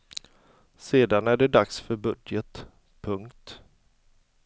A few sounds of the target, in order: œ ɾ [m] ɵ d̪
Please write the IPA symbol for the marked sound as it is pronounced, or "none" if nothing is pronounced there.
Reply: b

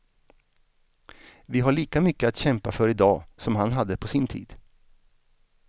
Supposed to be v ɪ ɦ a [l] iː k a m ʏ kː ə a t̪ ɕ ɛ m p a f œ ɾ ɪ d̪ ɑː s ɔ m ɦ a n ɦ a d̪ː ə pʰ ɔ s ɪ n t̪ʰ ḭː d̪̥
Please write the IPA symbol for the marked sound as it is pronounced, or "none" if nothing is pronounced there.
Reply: ɭ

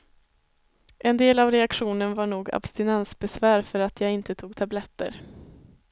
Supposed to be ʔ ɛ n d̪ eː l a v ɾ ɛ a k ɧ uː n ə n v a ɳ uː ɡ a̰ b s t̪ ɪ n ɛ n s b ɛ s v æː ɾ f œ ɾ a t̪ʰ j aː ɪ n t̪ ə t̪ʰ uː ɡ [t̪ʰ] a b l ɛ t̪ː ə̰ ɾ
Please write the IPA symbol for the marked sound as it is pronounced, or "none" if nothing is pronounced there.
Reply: t̪ʰ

